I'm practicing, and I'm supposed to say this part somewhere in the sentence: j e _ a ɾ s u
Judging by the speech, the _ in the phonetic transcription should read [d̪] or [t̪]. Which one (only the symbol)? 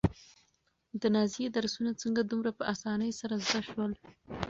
d̪